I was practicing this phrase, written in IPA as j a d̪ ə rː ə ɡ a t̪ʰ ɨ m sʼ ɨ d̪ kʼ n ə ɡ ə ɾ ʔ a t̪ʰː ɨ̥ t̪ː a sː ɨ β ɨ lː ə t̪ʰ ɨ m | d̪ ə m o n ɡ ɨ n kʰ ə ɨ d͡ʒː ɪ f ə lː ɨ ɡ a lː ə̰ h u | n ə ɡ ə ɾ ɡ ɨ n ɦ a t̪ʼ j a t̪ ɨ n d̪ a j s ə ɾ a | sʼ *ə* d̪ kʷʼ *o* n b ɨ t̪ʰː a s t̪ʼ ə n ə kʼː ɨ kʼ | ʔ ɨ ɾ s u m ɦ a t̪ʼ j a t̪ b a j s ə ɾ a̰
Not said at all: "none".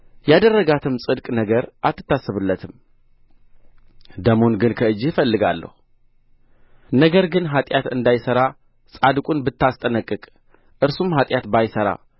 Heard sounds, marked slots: a, u

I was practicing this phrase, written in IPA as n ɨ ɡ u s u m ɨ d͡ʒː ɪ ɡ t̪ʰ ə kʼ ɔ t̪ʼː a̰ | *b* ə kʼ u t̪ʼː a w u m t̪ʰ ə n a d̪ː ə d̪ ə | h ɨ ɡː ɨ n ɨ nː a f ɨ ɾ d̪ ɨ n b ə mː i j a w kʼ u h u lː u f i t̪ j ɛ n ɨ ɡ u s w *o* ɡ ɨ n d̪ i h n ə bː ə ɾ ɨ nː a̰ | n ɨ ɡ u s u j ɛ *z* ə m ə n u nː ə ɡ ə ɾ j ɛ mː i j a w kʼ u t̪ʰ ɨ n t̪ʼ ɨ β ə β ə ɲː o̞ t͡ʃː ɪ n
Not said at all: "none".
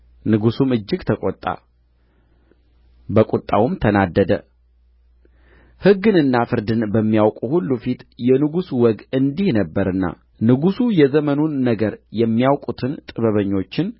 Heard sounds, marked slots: b, ɔ, z

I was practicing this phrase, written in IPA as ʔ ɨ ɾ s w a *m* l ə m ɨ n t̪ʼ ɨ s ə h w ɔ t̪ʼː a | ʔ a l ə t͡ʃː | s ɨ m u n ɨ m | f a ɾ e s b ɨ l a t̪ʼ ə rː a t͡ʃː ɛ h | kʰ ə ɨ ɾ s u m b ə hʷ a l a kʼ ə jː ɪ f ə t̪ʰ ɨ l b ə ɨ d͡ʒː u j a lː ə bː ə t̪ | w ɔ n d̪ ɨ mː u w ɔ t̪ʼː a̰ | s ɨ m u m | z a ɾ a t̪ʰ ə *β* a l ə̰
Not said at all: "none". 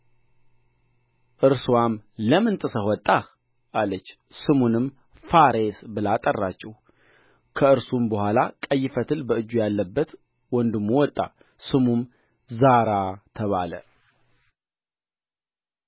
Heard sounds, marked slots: m, β

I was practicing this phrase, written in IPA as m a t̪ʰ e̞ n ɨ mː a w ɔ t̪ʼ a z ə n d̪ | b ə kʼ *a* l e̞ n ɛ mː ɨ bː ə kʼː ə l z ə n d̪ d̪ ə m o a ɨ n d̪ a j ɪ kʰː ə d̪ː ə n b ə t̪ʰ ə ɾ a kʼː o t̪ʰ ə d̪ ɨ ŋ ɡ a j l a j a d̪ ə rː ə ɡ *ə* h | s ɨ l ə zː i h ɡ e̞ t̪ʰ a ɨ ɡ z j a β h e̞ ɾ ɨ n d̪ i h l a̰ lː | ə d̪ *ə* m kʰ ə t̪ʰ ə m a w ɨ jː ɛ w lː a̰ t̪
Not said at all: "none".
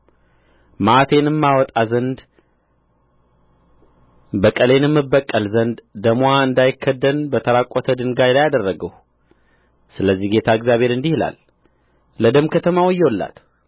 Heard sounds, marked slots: ə, ə, ə

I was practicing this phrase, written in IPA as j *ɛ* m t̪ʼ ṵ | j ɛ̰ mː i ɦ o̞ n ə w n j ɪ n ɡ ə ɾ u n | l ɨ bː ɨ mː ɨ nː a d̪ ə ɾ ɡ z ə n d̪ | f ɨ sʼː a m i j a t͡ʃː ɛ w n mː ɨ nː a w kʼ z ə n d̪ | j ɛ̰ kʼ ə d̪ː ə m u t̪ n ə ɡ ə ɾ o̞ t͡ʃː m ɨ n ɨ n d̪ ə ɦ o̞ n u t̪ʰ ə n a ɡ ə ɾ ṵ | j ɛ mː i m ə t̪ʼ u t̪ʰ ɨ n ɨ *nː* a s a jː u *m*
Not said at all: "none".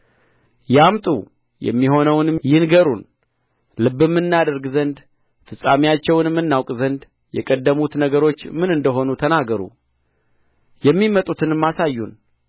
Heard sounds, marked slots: a, mː, n

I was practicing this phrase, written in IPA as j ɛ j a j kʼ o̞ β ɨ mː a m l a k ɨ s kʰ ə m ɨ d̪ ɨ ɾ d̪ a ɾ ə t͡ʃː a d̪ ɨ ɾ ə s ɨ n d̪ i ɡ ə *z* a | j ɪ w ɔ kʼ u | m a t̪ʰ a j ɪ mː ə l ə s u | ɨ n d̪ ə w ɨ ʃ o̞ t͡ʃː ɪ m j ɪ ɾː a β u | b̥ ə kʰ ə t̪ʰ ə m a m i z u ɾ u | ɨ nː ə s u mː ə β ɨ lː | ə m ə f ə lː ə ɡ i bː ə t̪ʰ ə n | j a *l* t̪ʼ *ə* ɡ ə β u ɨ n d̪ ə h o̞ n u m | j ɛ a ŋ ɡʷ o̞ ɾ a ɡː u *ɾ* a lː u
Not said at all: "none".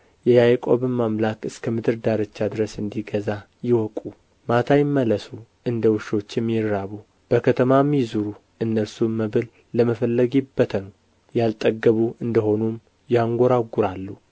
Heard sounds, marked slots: z, l, ə, ɾ

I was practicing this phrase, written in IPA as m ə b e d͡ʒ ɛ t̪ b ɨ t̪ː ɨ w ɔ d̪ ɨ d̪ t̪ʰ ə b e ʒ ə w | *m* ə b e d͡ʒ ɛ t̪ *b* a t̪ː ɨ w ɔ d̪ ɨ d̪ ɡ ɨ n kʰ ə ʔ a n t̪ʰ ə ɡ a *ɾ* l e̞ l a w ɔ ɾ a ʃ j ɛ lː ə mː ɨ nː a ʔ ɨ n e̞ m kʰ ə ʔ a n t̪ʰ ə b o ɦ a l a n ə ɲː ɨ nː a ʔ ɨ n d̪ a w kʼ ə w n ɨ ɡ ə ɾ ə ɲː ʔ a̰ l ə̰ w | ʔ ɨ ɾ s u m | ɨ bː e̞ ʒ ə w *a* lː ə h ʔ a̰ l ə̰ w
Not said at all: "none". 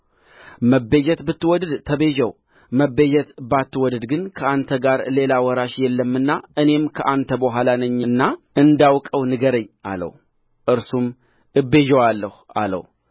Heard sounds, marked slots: m, b, ɾ, a

